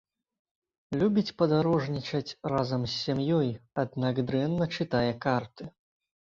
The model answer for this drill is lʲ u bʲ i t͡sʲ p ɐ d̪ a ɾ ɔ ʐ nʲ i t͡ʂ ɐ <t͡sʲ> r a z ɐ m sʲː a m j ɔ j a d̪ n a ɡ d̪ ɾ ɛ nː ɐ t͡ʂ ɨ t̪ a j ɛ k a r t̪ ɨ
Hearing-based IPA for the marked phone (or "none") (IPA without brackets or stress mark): t͡sʲ